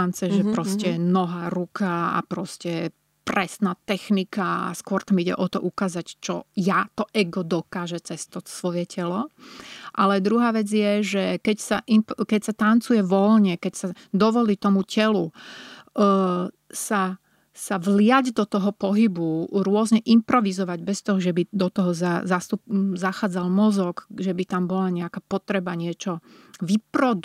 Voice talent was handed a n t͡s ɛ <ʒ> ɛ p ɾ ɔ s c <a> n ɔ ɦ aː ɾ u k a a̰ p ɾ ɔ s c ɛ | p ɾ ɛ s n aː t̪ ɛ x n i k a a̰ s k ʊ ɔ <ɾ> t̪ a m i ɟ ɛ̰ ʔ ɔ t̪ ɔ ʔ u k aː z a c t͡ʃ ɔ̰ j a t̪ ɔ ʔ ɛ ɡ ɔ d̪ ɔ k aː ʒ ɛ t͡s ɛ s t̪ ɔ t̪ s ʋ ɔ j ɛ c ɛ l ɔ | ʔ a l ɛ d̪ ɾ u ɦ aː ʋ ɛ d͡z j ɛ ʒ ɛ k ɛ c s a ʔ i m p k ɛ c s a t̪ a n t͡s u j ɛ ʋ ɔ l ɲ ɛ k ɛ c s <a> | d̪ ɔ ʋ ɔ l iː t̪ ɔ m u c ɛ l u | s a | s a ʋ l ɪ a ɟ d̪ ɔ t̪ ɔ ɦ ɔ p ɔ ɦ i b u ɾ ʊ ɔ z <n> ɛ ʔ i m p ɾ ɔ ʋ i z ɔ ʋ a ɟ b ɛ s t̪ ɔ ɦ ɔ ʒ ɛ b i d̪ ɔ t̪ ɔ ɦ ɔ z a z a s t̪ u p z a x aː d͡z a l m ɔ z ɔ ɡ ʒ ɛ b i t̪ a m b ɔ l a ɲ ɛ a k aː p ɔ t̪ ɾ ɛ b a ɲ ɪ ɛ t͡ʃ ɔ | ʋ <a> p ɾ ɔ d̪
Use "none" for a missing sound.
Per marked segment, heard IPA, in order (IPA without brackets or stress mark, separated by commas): ʒ, ɛ, ɾ, a, ɲ, i